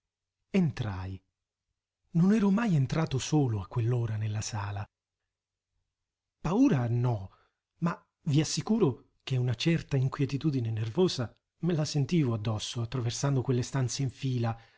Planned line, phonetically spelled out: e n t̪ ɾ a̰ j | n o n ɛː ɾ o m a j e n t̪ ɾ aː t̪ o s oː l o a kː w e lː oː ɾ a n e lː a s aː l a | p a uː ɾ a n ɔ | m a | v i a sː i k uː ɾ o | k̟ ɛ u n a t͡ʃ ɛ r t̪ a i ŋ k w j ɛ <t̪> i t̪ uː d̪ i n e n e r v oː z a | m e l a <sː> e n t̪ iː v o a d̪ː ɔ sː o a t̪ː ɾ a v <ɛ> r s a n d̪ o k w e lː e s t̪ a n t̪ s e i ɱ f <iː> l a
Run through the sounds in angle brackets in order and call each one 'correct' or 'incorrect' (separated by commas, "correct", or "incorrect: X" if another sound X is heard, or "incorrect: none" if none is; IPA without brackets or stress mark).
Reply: correct, incorrect: s, incorrect: e, correct